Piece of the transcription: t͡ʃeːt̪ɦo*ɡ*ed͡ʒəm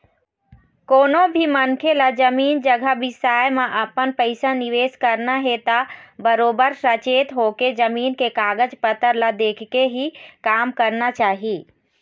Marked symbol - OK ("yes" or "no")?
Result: no